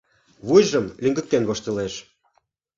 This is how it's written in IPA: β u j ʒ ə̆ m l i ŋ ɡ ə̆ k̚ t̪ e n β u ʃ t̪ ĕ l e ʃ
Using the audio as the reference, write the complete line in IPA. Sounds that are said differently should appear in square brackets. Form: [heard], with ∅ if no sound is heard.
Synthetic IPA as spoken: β u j ʒ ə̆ m l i ŋ ɡ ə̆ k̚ t̪ e n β [o] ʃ t̪ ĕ l e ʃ